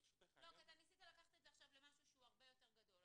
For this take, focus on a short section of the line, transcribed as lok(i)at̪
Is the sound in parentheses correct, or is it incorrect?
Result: correct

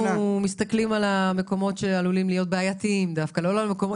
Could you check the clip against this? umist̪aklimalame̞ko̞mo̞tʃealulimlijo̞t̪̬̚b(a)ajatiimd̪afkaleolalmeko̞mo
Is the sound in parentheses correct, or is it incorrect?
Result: incorrect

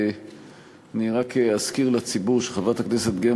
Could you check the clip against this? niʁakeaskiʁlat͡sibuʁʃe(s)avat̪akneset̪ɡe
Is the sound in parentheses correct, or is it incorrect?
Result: incorrect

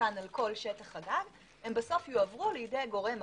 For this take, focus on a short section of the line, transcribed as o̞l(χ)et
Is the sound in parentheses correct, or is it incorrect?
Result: incorrect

